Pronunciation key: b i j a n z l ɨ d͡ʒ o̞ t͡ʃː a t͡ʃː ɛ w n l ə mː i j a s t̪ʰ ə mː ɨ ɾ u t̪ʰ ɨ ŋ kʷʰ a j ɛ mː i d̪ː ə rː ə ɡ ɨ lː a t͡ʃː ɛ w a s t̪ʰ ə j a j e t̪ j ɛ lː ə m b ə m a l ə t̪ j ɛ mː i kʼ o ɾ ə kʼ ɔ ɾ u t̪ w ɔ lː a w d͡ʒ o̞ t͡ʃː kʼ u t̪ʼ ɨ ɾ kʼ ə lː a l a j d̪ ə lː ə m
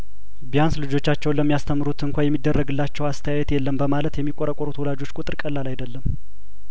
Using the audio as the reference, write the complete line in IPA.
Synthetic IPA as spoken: b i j a n s l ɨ d͡ʒ o̞ t͡ʃː a t͡ʃː ɛ w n l ə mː i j a s t̪ʰ ə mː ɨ ɾ u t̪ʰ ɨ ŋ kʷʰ a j ɛ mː i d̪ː ə rː ə ɡ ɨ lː a t͡ʃː ɛ w a s t̪ʰ ə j a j ɛ t̪ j ɛ lː ə m b ə m a l ə t̪ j ɛ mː i kʼ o ɾ ə kʼ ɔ ɾ u t̪ w ɔ l a d͡ʒ o̞ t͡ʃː kʼ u t̪ʼ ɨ ɾ kʼ ə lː a l a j d̪ ə lː ə m